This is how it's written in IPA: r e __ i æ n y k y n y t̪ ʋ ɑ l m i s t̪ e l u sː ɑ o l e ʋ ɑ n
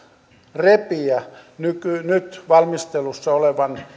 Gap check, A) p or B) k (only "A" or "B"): A